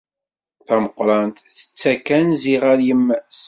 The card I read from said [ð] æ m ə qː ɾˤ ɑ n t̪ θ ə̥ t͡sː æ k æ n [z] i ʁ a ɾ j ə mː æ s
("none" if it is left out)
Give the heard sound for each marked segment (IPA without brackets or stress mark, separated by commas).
θ, z